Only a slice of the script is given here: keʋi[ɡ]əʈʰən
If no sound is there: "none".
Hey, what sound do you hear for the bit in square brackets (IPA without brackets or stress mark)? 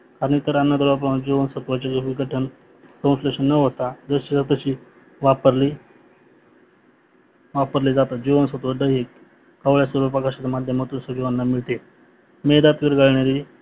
ɡ